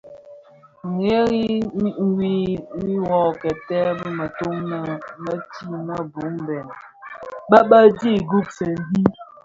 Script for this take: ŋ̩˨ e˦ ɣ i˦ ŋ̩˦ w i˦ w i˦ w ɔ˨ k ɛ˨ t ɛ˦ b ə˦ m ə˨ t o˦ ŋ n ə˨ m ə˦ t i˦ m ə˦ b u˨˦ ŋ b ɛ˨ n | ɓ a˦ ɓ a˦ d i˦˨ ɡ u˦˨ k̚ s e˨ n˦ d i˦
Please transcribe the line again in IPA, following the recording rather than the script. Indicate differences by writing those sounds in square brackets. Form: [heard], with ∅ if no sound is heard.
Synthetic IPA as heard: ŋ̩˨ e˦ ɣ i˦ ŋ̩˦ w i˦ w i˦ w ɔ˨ k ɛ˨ t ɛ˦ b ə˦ m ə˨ t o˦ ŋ n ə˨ m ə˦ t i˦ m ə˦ b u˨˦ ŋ b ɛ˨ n | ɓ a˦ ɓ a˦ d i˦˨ ɡ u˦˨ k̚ s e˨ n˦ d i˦